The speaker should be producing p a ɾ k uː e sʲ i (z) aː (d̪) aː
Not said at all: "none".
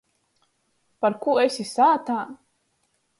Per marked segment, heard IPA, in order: s, t̪

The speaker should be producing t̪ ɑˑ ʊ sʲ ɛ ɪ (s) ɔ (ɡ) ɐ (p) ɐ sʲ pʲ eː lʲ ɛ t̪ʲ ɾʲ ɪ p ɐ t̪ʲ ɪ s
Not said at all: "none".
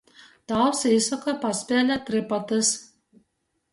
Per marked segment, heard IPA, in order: s, k, p

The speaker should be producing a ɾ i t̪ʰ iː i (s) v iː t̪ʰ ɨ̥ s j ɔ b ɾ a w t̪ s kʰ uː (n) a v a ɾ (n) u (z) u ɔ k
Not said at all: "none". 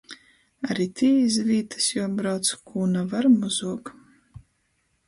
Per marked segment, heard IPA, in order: z, n, m, z

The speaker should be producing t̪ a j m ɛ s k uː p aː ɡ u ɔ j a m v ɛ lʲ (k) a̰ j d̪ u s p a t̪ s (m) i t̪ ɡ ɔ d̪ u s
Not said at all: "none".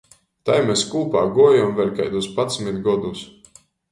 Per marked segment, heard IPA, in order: k, m

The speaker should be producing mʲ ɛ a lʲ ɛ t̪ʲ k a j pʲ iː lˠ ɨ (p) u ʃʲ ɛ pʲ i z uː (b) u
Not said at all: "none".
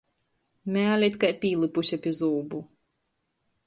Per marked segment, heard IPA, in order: p, b

